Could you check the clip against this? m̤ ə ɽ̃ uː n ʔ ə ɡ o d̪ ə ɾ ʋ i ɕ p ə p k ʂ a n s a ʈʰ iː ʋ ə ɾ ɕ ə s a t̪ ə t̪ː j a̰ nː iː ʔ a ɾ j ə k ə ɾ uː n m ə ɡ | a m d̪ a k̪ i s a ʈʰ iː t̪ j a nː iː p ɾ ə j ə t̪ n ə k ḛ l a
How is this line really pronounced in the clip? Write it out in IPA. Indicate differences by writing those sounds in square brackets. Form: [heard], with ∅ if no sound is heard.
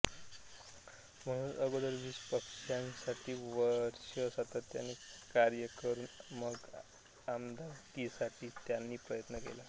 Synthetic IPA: m̤ ə ɽ̃ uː n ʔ ə ɡ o d̪ ə ɾ ʋ i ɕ p ə [∅] k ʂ a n s a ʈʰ iː ʋ ə ɾ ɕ ə s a t̪ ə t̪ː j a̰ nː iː [k] a ɾ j ə k ə ɾ uː n m ə ɡ | a m d̪ a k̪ i s a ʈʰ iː t̪ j a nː iː p ɾ ə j ə t̪ n ə k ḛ l a

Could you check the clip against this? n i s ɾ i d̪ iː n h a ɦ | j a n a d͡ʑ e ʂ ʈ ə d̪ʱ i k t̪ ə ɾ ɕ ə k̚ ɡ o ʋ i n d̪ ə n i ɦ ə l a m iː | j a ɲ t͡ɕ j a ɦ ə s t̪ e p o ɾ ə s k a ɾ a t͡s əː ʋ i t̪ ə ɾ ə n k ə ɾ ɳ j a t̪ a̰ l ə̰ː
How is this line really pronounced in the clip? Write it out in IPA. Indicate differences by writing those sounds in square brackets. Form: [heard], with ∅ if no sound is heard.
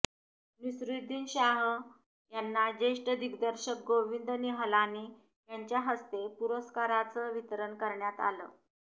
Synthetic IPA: n i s ɾ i d̪ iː n [ɕ] a ɦ | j a [nː] a d͡ʑ e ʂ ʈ ə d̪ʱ i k [d̪] ə ɾ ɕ ə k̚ ɡ o ʋ i n d̪ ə n i ɦ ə l a [n] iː | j a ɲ t͡ɕ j a ɦ ə s t̪ e p [u] ɾ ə s k a ɾ a t͡s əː ʋ i t̪ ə ɾ ə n k ə ɾ ɳ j a t̪ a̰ l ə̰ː

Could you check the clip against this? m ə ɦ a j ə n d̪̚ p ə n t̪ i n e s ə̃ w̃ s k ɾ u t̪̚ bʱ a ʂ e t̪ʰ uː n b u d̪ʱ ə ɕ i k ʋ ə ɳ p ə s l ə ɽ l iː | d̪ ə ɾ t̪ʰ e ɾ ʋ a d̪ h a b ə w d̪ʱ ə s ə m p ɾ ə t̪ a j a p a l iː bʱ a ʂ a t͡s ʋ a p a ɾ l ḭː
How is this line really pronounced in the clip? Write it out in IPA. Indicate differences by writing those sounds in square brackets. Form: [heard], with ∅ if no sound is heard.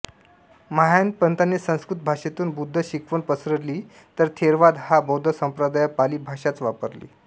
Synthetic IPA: m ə ɦ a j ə n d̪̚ p ə n t̪ [a] n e s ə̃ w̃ s k ɾ u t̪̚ bʱ a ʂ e [t̪] uː n b u [d̪ʱː] ə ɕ i k ʋ ə ɳ p ə s [ɾ] ə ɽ l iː | [t̪] ə ɾ t̪ʰ e ɾ ʋ a d̪ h a b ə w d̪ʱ ə s ə m p ɾ ə [d̪] a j a p a l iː bʱ a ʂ a t͡s ʋ a p [ə] ɾ l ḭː

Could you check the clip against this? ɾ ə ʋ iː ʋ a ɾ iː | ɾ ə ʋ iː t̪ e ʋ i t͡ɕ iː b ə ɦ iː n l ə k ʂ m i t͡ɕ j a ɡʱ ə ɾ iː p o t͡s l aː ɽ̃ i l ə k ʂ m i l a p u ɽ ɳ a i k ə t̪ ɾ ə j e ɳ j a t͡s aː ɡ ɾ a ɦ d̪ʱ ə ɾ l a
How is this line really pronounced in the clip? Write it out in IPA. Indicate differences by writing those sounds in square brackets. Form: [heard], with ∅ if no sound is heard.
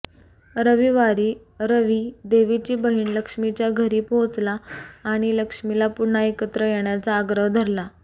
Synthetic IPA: ɾ ə ʋ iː ʋ a ɾ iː | ɾ ə ʋ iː [d̪] e ʋ i t͡ɕ iː b ə ɦ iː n l ə k ʂ m i t͡ɕ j a ɡʱ ə ɾ iː p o t͡s l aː ɽ̃ i l ə k ʂ m i l a p u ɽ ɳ a [e] k ə t̪ ɾ ə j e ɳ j a t͡s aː ɡ ɾ [ə] ɦ d̪ʱ ə ɾ l a

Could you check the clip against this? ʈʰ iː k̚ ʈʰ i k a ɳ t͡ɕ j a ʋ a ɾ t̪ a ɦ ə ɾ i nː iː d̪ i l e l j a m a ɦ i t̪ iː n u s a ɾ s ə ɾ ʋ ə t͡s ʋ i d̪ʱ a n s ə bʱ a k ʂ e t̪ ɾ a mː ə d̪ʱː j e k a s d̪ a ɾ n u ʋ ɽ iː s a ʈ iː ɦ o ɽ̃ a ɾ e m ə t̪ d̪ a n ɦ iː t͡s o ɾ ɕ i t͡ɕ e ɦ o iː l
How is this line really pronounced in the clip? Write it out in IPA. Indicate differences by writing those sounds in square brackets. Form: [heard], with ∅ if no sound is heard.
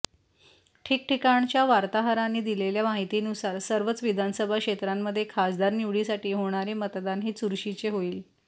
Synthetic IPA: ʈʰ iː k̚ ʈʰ i k a ɳ t͡ɕ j a ʋ a ɾ t̪ a ɦ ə ɾ [a] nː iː d̪ i l e l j a m a ɦ i t̪ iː n u s a ɾ s ə ɾ ʋ ə t͡s ʋ i d̪ʱ a n s ə bʱ a k ʂ e t̪ ɾ a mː ə d̪ʱː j e [kʰ] a s d̪ a ɾ n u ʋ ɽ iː s a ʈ iː ɦ o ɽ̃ a ɾ e m ə t̪ d̪ a n ɦ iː t͡s [u] ɾ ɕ i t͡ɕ e ɦ o iː l

